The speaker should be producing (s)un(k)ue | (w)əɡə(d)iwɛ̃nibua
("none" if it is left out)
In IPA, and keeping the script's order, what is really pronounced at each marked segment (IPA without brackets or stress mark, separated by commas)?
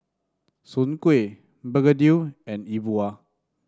s, k, b, d